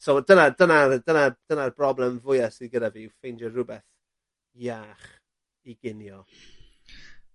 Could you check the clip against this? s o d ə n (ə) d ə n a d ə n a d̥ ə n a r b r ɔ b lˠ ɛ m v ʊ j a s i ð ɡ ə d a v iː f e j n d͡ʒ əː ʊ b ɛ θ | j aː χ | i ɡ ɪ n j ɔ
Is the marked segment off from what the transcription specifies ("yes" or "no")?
yes